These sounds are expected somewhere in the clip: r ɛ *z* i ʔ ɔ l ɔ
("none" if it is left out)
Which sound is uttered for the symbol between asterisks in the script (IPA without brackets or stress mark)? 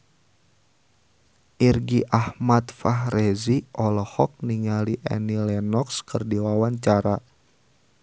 z